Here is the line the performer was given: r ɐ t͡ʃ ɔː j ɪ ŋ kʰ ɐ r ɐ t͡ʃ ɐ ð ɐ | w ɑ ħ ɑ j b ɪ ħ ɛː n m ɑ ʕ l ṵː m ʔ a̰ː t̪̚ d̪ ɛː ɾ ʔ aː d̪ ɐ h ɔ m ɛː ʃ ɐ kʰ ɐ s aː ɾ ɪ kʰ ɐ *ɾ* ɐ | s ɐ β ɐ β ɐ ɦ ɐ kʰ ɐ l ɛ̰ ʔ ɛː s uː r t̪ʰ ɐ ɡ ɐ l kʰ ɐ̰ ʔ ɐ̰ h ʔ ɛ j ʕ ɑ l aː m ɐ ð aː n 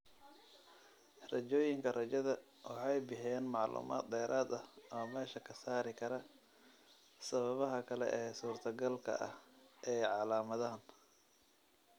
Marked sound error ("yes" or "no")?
no